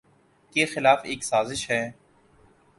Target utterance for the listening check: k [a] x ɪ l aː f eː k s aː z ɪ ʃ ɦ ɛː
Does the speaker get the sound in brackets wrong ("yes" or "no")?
yes